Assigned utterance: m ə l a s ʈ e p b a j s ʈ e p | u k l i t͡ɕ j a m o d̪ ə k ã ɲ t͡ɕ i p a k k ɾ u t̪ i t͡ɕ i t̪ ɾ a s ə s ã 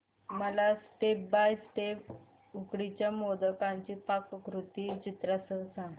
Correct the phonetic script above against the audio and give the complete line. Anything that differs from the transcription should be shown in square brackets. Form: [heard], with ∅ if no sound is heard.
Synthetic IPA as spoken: m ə l a s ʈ e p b a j s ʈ e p | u k [ɽ] i t͡ɕ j a m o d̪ ə k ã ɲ t͡ɕ i p a k k ɾ u t̪ i t͡ɕ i t̪ ɾ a s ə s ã

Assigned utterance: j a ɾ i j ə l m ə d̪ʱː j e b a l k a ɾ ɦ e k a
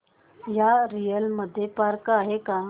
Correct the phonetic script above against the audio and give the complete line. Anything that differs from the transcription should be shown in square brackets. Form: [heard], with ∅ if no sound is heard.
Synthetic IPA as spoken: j a ɾ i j ə l m ə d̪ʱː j e [p] a [ɾ] k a [∅] ɦ e k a

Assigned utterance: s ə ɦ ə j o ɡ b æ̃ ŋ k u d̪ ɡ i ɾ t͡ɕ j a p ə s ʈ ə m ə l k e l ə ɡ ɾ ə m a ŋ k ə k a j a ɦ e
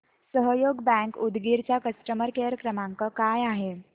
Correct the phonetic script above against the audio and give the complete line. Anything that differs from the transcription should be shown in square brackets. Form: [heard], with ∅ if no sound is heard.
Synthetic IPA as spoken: s ə ɦ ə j o ɡ b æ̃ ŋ k u d̪ ɡ i ɾ t͡ɕ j a [k] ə s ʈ ə m ə [ɾ] k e [ɾ] ə [k] ɾ ə m a ŋ k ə k a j a ɦ e

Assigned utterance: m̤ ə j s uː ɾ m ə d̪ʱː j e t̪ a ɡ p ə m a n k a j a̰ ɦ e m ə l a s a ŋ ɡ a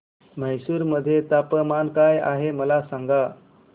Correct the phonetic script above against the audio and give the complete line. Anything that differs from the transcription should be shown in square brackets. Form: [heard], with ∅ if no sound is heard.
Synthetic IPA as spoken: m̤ ə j s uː ɾ m ə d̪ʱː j e t̪ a [∅] p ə m a n k a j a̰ ɦ e m ə l a s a ŋ ɡ a

